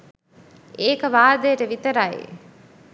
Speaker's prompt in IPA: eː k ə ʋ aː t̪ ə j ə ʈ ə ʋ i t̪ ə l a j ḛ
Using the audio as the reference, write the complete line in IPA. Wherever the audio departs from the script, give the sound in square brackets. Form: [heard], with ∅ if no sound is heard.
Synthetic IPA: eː k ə ʋ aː [d̪] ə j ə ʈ ə ʋ i t̪ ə [ɾ] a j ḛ